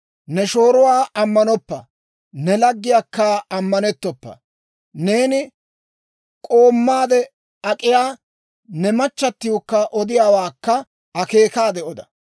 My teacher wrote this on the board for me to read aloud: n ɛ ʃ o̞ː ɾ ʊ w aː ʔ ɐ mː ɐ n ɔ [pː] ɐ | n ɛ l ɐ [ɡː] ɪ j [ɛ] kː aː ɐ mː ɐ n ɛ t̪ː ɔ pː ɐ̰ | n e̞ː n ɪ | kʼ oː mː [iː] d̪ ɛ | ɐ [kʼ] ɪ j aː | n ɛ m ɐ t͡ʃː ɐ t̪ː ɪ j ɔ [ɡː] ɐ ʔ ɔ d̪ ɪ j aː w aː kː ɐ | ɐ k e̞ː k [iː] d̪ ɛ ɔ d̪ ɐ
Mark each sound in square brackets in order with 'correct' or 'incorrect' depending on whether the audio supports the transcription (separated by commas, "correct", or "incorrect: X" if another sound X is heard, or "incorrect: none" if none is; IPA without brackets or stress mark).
correct, correct, incorrect: a, incorrect: aː, correct, incorrect: kː, incorrect: aː